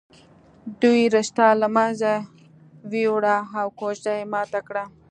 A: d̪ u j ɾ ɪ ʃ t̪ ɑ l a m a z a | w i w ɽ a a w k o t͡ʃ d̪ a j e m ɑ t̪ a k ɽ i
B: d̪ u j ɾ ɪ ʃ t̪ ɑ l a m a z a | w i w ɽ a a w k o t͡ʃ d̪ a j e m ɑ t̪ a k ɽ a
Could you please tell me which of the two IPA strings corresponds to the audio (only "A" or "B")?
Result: B